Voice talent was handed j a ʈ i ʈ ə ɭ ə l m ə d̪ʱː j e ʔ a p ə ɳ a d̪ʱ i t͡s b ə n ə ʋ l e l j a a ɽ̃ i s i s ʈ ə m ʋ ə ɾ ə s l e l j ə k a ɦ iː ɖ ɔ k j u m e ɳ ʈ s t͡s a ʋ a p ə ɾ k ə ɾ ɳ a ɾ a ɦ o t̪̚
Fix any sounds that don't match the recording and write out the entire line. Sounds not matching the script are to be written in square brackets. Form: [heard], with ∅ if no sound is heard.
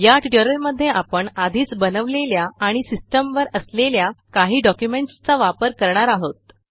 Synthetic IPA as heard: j a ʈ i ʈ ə [ɾ] ə l m ə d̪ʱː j e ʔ a p ə ɳ a d̪ʱ [iː] t͡s b ə n ə ʋ l e l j a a ɽ̃ i s i s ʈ ə m ʋ ə ɾ ə s l e l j [a] k a ɦ iː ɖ ɔ k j u m e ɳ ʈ s t͡s a ʋ a p ə ɾ k ə ɾ ɳ a ɾ a ɦ o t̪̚

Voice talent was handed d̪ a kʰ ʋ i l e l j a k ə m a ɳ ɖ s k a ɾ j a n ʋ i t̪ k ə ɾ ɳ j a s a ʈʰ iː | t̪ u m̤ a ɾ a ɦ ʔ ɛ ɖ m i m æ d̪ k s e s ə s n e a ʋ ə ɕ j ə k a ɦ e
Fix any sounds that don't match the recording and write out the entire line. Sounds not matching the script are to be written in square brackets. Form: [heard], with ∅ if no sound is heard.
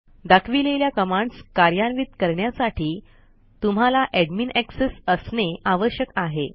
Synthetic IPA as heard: d̪ a kʰ ʋ i l e l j a k ə m a ɳ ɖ s k a ɾ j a n ʋ i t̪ k ə ɾ ɳ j a s a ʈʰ iː | t̪ u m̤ a [l] a [∅] ʔ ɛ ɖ m i [n] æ [∅] k s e s ə s n e a ʋ ə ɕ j ə k a ɦ e

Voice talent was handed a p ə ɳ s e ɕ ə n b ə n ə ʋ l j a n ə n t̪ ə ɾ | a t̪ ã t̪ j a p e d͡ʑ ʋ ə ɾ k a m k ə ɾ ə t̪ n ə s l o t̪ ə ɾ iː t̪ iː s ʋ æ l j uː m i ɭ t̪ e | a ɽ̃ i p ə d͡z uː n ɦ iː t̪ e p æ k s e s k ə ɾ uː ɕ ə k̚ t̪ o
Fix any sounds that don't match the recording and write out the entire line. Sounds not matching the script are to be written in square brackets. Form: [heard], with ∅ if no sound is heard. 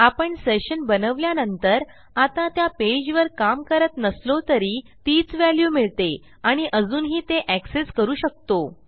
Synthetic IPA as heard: a p ə ɳ s e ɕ ə n b ə n ə ʋ l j a n ə n t̪ ə ɾ | a t̪ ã t̪ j a p e d͡ʑ ʋ ə ɾ k a m k ə ɾ ə t̪ n ə s l o t̪ ə ɾ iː t̪ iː [t͡s] ʋ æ l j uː m i ɭ t̪ e | a ɽ̃ i [ʔ] ə d͡z uː n ɦ iː t̪ e [ʔ] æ k s e s k ə ɾ uː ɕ ə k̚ t̪ o

